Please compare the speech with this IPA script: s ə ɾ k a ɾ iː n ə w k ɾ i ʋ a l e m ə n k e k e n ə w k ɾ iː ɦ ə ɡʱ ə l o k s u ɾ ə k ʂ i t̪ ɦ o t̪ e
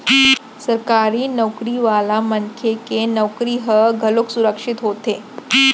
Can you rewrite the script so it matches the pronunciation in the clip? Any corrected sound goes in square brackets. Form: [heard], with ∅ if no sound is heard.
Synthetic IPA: s ə ɾ k a ɾ iː n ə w k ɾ i ʋ a l [a] m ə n [kʰ] e k e n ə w k ɾ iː ɦ ə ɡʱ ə l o k s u ɾ ə k ʂ i t̪ ɦ o t̪ e